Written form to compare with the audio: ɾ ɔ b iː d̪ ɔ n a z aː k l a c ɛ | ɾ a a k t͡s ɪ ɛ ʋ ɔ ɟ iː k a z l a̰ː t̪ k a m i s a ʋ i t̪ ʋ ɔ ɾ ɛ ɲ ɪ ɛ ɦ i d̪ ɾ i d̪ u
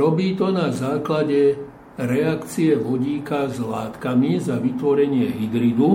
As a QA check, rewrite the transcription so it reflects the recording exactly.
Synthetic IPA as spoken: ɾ ɔ b iː t̪ ɔ n a z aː k l a ɟ ɛ | ɾ ɛ a k t͡s i ɛ ʋ ɔ ɟ iː k a z l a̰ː t̪ k a m i z a ʋ i t̪ ʋ ɔ ɾ ɛ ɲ ɪ ɛ ɦ i d̪ ɾ i d̪ u